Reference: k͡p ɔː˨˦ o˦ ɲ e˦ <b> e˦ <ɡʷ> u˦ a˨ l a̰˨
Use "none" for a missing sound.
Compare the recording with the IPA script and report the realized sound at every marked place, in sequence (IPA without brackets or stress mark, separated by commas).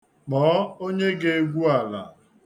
ɡ, ɡʷ